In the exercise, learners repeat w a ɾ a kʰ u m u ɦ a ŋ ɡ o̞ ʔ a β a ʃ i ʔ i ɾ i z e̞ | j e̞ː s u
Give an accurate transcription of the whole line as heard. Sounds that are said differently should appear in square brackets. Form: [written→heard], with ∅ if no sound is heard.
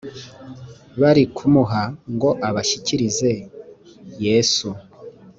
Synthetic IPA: [w→β] a ɾ [a→i] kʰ u m u ɦ a ŋ ɡ o̞ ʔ a β a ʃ i [ʔ→c] i ɾ i z e̞ | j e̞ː s u